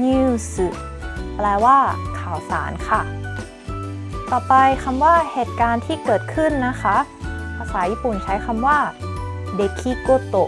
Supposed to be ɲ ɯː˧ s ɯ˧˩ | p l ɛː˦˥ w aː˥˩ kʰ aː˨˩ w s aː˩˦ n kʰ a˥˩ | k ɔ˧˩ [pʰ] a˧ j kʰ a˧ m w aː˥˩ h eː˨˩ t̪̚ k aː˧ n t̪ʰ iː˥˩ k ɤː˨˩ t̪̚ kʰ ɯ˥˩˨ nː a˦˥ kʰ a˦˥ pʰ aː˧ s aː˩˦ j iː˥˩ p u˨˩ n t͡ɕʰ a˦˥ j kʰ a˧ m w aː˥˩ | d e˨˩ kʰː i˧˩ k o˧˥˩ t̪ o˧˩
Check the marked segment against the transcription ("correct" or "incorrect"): incorrect